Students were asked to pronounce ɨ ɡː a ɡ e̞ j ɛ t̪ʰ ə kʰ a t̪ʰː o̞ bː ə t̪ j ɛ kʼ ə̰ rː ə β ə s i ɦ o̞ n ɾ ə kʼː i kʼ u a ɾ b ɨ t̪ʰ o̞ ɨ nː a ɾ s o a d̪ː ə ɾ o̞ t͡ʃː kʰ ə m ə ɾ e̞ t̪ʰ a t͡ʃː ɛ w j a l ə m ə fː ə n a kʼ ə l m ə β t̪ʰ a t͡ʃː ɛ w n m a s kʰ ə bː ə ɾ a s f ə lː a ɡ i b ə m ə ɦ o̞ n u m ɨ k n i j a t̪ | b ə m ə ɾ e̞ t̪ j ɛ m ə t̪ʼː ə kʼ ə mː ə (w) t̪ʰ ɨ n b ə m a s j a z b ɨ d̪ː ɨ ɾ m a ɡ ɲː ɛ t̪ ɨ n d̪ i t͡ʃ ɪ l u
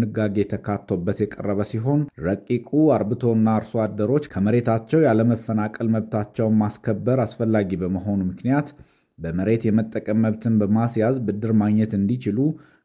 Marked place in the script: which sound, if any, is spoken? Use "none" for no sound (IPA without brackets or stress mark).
β